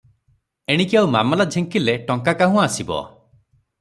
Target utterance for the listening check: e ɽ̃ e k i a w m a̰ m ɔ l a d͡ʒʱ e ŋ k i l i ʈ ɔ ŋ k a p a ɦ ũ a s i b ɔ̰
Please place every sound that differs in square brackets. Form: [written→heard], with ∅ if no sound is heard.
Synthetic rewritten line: e ɽ̃ [e→i] k i a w m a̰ m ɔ l a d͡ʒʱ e ŋ k i l [i→e] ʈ ɔ ŋ k a [p→k] a ɦ ũ a s i b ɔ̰